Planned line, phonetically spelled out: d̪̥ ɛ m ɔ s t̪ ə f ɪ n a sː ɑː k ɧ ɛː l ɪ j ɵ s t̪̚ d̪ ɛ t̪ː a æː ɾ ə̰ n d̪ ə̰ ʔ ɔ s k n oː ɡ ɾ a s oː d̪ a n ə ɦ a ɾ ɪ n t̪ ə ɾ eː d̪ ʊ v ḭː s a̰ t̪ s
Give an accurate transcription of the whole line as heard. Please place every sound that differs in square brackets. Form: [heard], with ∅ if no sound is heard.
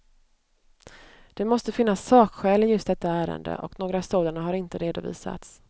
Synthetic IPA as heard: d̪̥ ɛ m ɔ s t̪ ə f ɪ [nː] a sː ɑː k ɧ ɛː l ɪ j ɵ s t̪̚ d̪ ɛ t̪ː a æː ɾ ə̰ n d̪ ə̰ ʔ ɔ [∅] k n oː ɡ ɾ a s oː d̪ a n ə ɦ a ɾ ɪ n t̪ ə ɾ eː d̪ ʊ v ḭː s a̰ t̪ s